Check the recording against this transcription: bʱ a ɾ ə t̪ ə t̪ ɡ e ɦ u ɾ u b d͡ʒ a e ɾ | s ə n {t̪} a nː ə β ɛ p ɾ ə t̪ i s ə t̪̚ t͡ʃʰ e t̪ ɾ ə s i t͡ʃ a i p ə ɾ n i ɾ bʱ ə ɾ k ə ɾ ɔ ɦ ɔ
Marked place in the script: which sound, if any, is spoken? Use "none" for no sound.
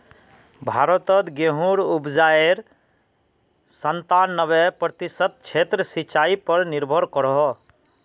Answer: t̪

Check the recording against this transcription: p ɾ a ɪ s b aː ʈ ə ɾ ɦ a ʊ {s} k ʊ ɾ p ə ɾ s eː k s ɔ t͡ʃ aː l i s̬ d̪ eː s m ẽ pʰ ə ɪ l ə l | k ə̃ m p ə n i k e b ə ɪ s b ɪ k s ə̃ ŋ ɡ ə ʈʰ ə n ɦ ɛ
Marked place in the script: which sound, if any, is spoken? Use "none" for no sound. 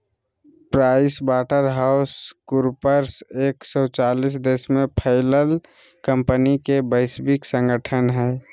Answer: s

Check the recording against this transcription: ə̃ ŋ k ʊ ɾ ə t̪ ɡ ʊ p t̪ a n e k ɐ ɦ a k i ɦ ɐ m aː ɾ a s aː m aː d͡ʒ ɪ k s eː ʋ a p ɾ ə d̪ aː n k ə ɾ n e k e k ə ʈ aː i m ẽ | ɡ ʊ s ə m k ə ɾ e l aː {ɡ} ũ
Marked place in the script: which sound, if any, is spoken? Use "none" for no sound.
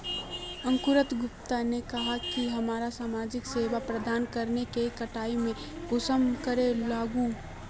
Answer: ɡ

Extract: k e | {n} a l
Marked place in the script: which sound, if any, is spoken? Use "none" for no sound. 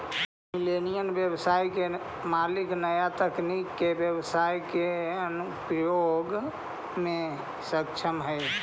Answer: m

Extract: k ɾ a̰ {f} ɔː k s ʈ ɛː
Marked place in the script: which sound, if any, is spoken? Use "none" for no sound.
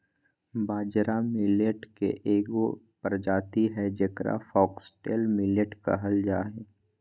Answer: f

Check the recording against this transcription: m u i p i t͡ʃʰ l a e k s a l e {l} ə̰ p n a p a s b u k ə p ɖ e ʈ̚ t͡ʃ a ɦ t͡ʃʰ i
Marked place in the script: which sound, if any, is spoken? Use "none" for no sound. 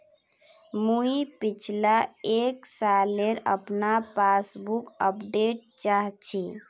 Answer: ɾ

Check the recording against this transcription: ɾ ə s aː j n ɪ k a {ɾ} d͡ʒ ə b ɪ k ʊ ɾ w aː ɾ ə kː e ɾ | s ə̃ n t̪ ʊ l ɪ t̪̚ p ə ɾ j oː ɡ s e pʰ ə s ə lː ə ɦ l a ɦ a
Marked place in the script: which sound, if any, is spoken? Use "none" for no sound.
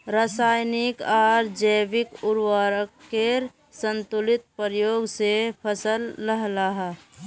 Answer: ɾ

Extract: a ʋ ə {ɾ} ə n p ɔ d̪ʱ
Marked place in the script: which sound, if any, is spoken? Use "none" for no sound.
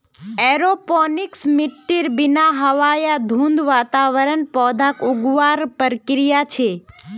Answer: ɾ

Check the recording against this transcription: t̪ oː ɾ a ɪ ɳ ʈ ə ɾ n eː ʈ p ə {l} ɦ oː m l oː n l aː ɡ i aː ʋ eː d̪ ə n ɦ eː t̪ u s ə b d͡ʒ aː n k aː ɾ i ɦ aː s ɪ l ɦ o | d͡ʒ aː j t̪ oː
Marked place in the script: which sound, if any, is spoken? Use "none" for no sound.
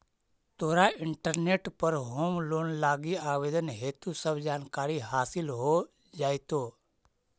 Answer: ɾ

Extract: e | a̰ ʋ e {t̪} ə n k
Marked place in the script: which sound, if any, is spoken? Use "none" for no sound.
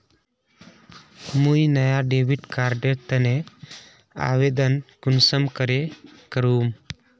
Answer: d̪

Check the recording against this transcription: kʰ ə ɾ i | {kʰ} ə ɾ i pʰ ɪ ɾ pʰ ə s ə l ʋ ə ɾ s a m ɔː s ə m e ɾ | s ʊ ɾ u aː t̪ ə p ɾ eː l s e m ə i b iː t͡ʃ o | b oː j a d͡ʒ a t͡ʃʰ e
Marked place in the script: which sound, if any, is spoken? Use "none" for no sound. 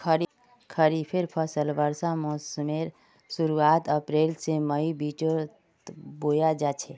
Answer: kʰ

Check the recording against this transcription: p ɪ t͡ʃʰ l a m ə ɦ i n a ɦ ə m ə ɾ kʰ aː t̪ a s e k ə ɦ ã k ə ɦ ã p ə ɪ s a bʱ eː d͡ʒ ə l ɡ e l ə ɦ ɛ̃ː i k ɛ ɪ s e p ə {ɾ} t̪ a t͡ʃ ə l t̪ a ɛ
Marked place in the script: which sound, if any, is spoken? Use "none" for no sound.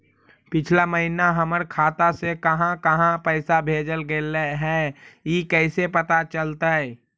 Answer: none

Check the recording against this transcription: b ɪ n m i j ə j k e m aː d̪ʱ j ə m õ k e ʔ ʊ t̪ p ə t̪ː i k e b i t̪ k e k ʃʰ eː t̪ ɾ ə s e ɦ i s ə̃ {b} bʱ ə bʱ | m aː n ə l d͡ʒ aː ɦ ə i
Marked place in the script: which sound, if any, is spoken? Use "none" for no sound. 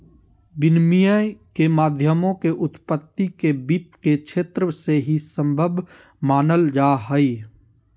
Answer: m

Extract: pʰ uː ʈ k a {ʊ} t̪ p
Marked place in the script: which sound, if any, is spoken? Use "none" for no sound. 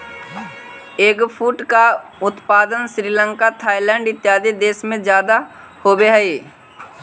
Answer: ʊ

